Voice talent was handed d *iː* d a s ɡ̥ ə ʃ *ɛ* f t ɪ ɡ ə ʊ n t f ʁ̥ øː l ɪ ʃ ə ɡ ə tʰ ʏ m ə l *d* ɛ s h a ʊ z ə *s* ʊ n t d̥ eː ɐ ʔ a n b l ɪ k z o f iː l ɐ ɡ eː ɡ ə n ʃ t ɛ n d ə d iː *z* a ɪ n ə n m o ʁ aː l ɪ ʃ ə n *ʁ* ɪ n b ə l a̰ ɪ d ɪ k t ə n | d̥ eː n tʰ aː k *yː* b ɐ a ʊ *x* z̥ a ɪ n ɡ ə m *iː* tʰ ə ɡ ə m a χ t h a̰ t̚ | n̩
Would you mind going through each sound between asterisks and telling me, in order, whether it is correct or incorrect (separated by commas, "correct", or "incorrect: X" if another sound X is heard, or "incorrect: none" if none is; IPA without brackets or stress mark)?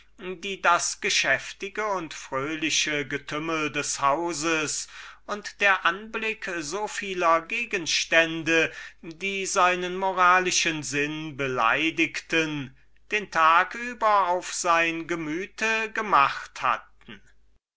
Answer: correct, correct, correct, correct, correct, incorrect: z, correct, incorrect: f, incorrect: yː